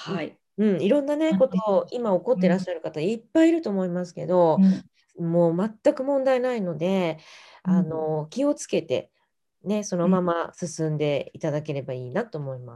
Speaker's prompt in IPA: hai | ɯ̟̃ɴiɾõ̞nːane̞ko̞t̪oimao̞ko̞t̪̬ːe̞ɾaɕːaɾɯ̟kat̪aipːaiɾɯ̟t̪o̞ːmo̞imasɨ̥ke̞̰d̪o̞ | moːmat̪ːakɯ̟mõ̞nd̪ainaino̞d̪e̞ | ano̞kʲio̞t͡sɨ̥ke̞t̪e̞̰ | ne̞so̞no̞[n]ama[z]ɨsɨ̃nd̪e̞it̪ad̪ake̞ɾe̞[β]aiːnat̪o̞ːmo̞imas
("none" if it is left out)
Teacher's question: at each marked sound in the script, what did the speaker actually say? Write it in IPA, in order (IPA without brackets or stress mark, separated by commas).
m, s, b